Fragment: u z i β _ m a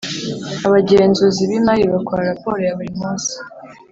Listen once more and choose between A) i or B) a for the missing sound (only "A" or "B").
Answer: A